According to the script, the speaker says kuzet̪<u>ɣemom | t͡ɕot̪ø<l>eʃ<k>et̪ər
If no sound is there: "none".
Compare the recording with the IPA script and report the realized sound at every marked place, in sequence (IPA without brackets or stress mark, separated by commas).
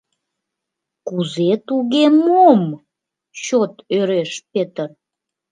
u, ɾ, p